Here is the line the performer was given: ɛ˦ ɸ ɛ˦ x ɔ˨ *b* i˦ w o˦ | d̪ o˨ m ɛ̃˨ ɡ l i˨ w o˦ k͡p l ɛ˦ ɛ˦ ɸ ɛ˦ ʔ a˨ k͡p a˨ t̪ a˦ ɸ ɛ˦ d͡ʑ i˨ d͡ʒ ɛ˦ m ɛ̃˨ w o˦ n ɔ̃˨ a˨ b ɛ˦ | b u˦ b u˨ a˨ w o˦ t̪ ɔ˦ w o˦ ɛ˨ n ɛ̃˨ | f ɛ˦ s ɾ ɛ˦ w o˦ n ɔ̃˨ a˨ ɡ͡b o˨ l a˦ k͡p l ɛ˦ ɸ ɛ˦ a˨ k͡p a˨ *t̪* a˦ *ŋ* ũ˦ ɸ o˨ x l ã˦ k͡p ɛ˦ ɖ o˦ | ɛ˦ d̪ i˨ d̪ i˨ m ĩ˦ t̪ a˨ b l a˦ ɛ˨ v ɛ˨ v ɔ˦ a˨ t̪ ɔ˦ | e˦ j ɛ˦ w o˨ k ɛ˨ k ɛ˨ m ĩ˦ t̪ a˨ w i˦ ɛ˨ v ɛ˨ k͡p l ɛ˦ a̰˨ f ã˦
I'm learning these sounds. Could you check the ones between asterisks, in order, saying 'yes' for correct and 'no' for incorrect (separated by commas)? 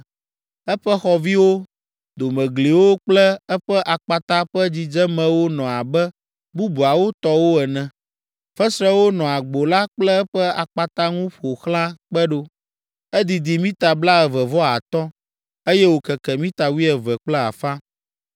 no, yes, yes